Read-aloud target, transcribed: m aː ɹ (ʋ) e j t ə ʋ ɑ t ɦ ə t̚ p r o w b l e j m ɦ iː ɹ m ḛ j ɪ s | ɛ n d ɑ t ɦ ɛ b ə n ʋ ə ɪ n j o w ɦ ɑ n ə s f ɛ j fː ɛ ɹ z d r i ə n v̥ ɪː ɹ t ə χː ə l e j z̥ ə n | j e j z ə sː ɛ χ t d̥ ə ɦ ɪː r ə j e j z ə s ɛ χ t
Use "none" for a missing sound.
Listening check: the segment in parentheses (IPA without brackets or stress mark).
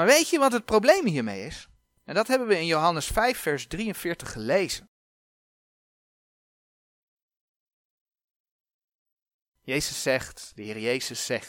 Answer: ʋ